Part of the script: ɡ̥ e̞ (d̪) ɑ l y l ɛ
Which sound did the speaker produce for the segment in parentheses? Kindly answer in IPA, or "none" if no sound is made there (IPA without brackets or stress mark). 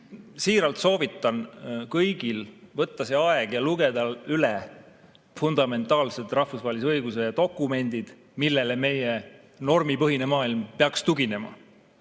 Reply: d̪